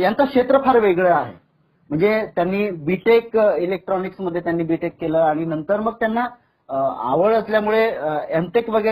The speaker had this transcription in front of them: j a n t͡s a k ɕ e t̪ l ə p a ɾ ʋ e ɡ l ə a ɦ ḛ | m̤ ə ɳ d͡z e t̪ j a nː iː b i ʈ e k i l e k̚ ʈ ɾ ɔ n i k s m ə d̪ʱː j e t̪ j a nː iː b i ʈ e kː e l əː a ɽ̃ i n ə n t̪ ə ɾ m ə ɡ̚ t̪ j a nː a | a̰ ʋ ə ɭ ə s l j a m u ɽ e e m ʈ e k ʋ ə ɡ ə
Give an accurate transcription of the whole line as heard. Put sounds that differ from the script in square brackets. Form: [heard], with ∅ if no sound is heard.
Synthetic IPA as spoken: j a n t͡s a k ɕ e t̪ [ɾ] ə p a ɾ ʋ e ɡ [ɭ] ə a ɦ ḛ | m̤ ə ɳ d͡z e t̪ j a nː iː b i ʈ e k i l e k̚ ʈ ɾ ɔ n i k s m ə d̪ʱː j e t̪ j a nː iː b i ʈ e kː e l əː a ɽ̃ i n ə n t̪ ə ɾ m ə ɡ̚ t̪ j a nː a | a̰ ʋ ə ɭ ə s l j a m u [ɭ] e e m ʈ e k ʋ ə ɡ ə